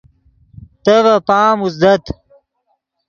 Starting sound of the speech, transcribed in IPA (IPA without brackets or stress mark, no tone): t̪